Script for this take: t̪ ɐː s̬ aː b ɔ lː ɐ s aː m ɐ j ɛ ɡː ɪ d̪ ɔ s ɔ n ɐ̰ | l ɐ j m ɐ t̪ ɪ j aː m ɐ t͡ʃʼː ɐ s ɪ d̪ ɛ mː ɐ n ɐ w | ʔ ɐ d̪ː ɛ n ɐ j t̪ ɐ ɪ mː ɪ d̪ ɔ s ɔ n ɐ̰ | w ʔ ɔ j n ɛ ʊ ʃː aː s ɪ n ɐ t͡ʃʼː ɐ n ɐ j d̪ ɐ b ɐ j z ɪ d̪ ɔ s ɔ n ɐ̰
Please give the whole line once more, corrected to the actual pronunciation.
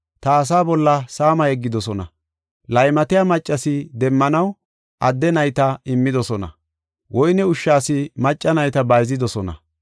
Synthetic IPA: t̪ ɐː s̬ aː b ɔ lː ɐ s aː m ɐ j ɛ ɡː ɪ d̪ ɔ s ɔ n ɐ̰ | l ɐ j m ɐ t̪ ɪ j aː m ɐ t͡ʃʼː ɐ s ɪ d̪ ɛ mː ɐ n ɐ w | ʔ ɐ d̪ː ɛ n ɐ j t̪ ɐ ɪ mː ɪ d̪ ɔ s ɔ n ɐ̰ | w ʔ ɔ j n ɛ ʊ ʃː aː s ɪ m ɐ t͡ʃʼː ɐ n ɐ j t̪ ɐ b ɐ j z ɪ d̪ ɔ s ɔ n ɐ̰